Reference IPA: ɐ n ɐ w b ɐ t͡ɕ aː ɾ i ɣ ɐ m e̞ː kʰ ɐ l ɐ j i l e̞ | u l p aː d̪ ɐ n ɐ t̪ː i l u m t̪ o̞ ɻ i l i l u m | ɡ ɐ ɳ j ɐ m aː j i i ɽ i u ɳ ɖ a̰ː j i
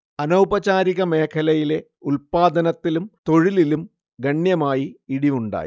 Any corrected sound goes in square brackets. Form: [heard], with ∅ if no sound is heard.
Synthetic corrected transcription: ɐ n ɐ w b ɐ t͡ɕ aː ɾ i ɣ ɐ m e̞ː kʰ ɐ l ɐ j i l e̞ | u l p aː d̪ ɐ n ɐ t̪ː i l u m t̪ o̞ ɻ i l i l u m | ɡ ɐ ɳ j ɐ m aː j i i ɽ i u ɳ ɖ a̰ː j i